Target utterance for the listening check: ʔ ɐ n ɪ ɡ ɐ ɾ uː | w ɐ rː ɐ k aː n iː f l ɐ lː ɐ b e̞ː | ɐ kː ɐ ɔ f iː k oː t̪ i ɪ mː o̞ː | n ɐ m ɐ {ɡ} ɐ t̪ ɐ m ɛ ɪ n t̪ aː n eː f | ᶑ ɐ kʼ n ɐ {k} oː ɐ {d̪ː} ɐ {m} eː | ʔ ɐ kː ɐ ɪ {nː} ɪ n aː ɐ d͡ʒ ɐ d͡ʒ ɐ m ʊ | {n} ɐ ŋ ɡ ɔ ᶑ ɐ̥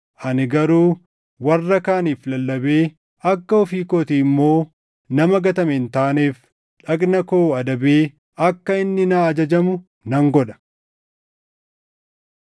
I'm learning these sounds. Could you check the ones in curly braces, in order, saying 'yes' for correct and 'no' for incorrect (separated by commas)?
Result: yes, yes, no, no, yes, yes